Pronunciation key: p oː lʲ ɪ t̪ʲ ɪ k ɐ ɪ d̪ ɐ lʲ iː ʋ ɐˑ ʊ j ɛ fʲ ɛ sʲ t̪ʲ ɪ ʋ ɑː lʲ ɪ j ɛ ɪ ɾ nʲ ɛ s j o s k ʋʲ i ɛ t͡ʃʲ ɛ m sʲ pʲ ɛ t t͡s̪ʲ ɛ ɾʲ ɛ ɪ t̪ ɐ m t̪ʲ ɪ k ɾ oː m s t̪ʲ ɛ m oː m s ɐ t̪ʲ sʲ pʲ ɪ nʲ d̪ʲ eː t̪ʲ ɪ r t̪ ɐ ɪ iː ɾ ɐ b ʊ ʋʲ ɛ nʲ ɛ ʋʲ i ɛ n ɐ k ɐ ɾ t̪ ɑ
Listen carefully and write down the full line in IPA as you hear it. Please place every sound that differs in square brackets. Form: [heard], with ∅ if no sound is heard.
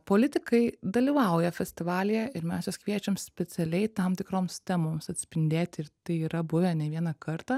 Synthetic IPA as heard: p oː lʲ ɪ t̪ʲ ɪ k ɐ ɪ d̪ ɐ lʲ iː ʋ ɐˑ ʊ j ɛ fʲ ɛ sʲ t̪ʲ ɪ ʋ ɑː lʲ ɪ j ɛ ɪ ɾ [mʲ] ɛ s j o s k ʋʲ i ɛ t͡ʃʲ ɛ m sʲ pʲ ɛ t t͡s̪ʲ ɛ [lʲ] ɛ ɪ t̪ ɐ m t̪ʲ ɪ k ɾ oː m s t̪ʲ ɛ m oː m s ɐ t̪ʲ sʲ pʲ ɪ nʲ d̪ʲ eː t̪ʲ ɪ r t̪ ɐ ɪ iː ɾ ɐ b ʊ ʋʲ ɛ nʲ ɛ ʋʲ i ɛ n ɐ k ɐ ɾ t̪ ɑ